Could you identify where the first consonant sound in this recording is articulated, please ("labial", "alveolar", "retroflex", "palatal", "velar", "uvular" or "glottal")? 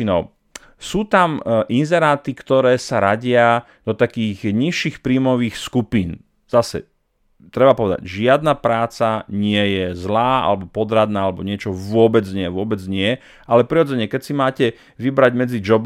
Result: alveolar